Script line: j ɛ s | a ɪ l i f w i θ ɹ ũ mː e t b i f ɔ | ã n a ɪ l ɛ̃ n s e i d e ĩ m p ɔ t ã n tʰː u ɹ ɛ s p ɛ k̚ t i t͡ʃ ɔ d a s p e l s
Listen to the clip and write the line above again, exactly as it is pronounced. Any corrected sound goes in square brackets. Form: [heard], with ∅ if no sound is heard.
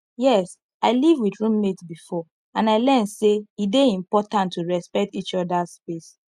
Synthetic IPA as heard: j ɛ s | a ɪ l i [v] w i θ ɹ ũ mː e t b i f ɔ | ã n a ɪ l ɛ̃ n s e i d e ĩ m p ɔ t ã n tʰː u ɹ ɛ s p ɛ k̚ t i t͡ʃ ɔ d a s p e [∅] s